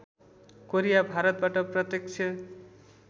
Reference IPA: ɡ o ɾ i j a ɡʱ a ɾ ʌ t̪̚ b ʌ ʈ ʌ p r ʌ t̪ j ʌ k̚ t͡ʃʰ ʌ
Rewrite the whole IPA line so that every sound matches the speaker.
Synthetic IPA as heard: k o ɾ i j a bʱ a ɾ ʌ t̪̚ b a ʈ ʌ p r ʌ t̪ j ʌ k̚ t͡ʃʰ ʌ